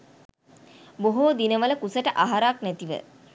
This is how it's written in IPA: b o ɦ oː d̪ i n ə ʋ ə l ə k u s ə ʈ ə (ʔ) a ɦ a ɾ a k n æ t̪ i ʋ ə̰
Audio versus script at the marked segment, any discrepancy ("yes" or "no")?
no